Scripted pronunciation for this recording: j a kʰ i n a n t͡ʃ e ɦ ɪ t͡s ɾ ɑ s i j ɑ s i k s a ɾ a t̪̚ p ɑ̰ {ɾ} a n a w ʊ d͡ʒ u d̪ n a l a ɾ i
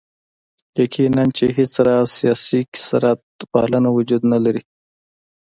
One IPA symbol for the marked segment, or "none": l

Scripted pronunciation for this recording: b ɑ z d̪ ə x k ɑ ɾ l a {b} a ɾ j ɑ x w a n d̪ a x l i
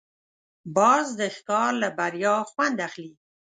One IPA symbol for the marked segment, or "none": b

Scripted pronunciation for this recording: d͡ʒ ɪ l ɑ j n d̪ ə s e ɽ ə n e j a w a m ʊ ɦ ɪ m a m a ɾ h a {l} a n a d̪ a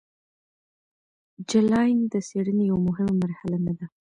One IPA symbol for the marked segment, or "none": l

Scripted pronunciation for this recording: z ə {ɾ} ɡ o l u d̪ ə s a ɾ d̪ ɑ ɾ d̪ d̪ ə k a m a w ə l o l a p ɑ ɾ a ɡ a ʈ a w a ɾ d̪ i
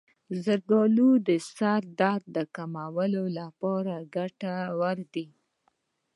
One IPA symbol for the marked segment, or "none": ɾ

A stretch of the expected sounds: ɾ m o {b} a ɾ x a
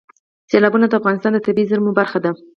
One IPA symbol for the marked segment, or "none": b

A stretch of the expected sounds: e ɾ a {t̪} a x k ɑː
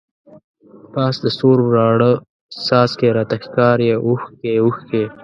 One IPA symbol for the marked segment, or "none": t̪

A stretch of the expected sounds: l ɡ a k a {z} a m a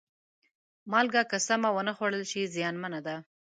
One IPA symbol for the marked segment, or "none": s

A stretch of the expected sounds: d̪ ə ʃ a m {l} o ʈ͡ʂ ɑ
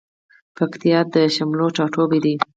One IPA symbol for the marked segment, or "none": l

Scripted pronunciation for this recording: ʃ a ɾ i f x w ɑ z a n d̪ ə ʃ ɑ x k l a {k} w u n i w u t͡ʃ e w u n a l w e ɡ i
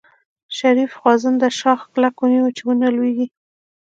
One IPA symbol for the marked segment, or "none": k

